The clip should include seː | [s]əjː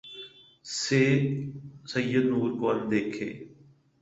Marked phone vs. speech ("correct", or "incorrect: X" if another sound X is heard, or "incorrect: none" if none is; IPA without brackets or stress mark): correct